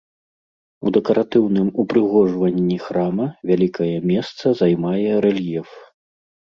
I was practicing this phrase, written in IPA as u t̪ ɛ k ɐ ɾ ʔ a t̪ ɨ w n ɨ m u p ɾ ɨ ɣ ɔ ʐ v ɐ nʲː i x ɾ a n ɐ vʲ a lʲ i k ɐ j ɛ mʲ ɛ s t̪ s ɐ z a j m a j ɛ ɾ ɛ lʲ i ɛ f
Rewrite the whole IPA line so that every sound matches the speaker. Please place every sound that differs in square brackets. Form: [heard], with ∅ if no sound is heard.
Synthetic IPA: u [d̪] ɛ k ɐ ɾ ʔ a t̪ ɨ w n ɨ m u p ɾ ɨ ɣ ɔ ʐ v ɐ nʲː i x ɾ a [m] ɐ vʲ a lʲ i k ɐ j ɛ mʲ ɛ s t̪ s ɐ z a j m a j ɛ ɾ ɛ lʲ [j] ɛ f

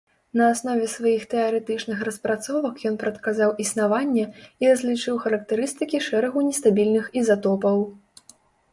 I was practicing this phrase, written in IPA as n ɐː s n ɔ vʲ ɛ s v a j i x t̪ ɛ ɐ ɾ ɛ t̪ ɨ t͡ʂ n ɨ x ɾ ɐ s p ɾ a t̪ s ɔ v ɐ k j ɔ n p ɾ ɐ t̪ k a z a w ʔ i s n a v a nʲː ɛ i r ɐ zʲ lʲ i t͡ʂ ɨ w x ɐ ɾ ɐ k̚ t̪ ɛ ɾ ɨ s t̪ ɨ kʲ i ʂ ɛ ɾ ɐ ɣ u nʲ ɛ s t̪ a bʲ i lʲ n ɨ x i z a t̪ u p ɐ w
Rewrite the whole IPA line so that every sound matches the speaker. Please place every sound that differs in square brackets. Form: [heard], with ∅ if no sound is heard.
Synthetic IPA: n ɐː s n ɔ vʲ ɛ s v a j i x t̪ ɛ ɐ ɾ ɛ t̪ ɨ t͡ʂ n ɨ x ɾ ɐ s p ɾ a t̪ s ɔ v ɐ k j ɔ n p ɾ ɐ t̪ k a z a w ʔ i s n a v a nʲː ɛ i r ɐ zʲ lʲ i t͡ʂ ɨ w x ɐ ɾ ɐ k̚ t̪ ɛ ɾ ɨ s t̪ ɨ kʲ i ʂ ɛ ɾ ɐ ɣ u nʲ ɛ s t̪ a bʲ i lʲ n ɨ x i z a t̪ [ɔ] p ɐ w

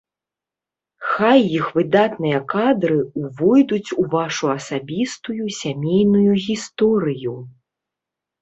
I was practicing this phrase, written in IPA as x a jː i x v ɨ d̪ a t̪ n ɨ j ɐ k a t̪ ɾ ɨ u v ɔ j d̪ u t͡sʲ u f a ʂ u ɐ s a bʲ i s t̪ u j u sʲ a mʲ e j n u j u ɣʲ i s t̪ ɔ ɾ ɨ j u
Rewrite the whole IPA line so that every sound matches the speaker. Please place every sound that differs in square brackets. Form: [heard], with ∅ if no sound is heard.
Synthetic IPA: x a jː i x v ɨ d̪ a t̪ n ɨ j ɐ k a [d̪] ɾ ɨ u v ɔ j d̪ u t͡sʲ u [v] a ʂ u ɐ s a bʲ i s t̪ u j u sʲ a mʲ e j n u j u ɣʲ i s t̪ ɔ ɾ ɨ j u

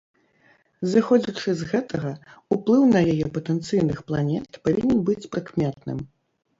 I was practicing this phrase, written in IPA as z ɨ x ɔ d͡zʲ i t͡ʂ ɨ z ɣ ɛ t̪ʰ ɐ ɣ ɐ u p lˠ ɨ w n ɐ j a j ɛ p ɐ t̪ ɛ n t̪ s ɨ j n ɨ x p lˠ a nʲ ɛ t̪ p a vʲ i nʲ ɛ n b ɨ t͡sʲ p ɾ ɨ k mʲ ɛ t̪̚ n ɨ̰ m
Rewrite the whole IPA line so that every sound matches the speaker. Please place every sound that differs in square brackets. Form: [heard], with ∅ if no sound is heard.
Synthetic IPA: z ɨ x ɔ d͡zʲ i t͡ʂ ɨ z ɣ ɛ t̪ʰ ɐ ɣ ɐ u p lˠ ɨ w n ɐ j a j ɛ p ɐ t̪ ɛ n t̪ s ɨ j n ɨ x p lˠ a nʲ ɛ t̪ p a vʲ i nʲ ɛ n b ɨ t͡sʲ p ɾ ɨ k mʲ ɛ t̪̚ n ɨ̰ m

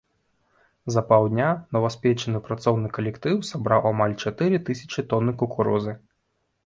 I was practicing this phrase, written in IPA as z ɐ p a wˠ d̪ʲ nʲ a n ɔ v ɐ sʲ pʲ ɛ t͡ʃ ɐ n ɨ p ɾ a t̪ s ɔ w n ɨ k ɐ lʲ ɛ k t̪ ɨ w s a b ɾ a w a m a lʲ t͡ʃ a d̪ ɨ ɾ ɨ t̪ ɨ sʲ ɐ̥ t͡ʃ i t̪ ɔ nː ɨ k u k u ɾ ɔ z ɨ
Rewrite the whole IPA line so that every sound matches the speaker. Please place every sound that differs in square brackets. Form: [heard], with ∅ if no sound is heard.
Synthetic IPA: z ɐ p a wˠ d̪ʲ nʲ a n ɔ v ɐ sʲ pʲ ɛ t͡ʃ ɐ n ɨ p ɾ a t̪ s ɔ w n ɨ k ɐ lʲ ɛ k t̪ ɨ w s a b ɾ a w a m a lʲ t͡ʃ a [t̪] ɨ ɾ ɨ t̪ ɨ sʲ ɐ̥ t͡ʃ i t̪ ɔ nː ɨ k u k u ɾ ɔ z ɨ

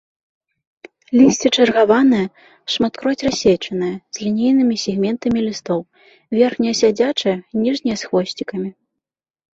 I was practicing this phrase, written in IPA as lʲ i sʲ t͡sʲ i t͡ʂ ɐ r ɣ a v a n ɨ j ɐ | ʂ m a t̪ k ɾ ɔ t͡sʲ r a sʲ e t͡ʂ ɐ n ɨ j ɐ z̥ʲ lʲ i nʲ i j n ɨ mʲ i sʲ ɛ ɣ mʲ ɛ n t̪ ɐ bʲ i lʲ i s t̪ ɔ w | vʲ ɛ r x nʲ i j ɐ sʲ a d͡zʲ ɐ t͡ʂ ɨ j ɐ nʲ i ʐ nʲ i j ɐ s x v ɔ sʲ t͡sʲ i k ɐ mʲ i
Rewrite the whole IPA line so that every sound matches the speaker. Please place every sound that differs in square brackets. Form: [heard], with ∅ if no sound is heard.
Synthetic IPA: lʲ i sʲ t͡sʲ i t͡ʂ ɐ r ɣ a v a n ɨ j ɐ | ʂ m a t̪ k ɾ ɔ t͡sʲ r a sʲ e t͡ʂ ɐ n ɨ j ɐ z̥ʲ lʲ i nʲ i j n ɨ mʲ i sʲ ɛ ɣ mʲ ɛ n t̪ ɐ [mʲ] i lʲ i s t̪ ɔ w | vʲ ɛ r x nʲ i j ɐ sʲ a d͡zʲ [a] t͡ʂ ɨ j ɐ nʲ i ʐ nʲ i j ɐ s x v ɔ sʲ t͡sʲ i k ɐ mʲ i

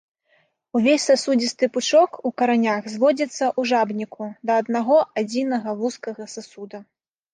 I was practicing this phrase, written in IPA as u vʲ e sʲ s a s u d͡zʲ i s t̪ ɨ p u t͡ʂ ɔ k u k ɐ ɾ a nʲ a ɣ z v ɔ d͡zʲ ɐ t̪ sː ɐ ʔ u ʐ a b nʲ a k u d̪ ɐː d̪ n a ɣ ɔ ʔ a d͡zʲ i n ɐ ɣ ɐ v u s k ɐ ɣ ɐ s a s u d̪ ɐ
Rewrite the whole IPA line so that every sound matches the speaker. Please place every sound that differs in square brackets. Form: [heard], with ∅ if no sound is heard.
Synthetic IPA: u vʲ e sʲ s a s u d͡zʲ i s t̪ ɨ p u t͡ʂ ɔ k u k ɐ ɾ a nʲ a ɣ z v ɔ d͡zʲ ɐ t̪ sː ɐ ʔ u ʐ a b nʲ [i] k u d̪ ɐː d̪ n a ɣ ɔ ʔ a d͡zʲ i n ɐ ɣ ɐ v u s k ɐ ɣ ɐ s a s u d̪ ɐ

